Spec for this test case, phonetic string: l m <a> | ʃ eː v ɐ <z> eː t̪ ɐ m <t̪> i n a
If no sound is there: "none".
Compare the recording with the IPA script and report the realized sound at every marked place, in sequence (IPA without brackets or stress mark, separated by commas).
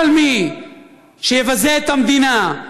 i, z, d̪